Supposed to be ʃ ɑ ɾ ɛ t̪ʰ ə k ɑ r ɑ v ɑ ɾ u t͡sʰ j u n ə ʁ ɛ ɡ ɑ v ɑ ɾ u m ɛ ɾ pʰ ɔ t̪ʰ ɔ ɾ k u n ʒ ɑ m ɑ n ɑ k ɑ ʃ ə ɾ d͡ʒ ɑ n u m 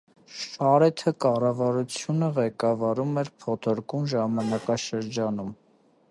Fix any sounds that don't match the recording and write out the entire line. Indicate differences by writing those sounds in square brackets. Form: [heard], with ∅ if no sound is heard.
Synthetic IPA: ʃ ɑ ɾ ɛ t̪ʰ ə k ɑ r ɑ v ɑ ɾ u t͡sʰ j u n ə ʁ ɛ [k] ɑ v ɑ ɾ u m ɛ ɾ pʰ ɔ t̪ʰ ɔ ɾ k u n ʒ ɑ m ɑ n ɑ k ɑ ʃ ə ɾ d͡ʒ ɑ n u m